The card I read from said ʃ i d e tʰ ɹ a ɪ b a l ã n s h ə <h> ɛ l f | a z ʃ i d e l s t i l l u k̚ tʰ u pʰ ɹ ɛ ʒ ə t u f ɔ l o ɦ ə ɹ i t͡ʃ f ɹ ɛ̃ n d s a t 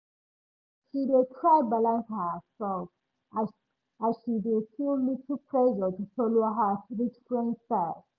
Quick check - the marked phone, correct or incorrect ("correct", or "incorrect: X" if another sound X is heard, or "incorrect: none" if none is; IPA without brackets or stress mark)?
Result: incorrect: s